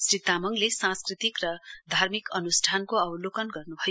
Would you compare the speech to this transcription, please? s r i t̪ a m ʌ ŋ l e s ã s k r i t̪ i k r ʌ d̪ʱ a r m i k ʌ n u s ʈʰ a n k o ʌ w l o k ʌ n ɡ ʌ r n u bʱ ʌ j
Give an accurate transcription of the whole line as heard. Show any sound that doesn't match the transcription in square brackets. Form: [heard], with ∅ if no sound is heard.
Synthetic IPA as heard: s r i t̪ a m ʌ ŋ l e s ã s k r i t̪ i k r ʌ d̪ʱ a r m i k ʌ n u s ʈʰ a n k o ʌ w l o k ʌ n ɡ ʌ r n u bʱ ʌ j

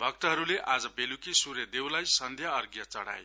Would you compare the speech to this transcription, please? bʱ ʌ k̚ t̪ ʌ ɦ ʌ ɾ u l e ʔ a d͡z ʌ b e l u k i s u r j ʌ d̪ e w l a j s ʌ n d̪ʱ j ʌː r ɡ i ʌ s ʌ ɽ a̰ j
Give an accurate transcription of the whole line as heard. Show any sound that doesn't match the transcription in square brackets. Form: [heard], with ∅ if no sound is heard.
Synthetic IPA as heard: bʱ ʌ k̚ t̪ ʌ ɦ ʌ ɾ u l e ʔ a d͡z ʌ b e l u k i s u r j ʌ d̪ e w l a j s ʌ n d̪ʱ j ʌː r ɡ [j] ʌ [t͡s] ʌ ɽ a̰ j

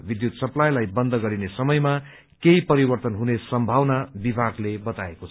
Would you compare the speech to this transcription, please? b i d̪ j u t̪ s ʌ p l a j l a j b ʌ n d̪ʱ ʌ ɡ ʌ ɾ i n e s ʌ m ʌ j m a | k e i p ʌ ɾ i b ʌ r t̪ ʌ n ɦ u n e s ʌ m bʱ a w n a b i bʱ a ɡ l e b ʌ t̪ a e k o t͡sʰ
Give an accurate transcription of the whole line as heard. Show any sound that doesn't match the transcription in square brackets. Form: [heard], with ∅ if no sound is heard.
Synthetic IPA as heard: b i d̪ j u t̪ s ʌ p l a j l a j b ʌ n d̪ʱ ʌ ɡ ʌ ɾ i n e s ʌ m ʌ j m a | k e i p ʌ ɾ i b ʌ r t̪ ʌ n ɦ u n e s ʌ m bʱ a w n a b i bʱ a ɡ l e b ʌ t̪ a e k o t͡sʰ

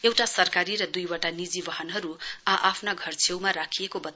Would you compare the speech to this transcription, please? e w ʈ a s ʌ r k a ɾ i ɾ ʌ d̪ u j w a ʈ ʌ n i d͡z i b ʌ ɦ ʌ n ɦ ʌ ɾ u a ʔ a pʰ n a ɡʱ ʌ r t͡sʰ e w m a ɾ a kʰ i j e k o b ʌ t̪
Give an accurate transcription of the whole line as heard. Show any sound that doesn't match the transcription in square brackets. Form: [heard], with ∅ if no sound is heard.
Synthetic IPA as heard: e w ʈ a s ʌ r k a ɾ i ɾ ʌ d̪ u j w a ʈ [a] n i d͡z i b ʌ ɦ ʌ n ɦ ʌ ɾ u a ʔ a pʰ n a ɡʱ ʌ r t͡sʰ e w m a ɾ a kʰ i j e k o b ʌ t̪

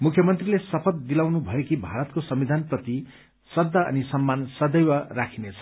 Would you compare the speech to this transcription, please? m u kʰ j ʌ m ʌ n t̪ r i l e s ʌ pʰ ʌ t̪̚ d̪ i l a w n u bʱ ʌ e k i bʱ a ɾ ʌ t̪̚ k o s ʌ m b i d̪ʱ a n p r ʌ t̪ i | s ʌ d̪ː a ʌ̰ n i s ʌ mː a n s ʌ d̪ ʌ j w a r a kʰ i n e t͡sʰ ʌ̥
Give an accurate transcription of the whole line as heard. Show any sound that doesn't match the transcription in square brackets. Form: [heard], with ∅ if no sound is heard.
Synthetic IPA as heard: m u kʰ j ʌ m ʌ n t̪ r i l e s ʌ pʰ ʌ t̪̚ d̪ i l a w n u bʱ ʌ e k i bʱ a ɾ ʌ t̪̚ k o s ʌ m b i d̪ʱ a n p r ʌ t̪ i | s ʌ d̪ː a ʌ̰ n i s ʌ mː a n s ʌ d̪ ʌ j w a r a kʰ i n e t͡sʰ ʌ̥

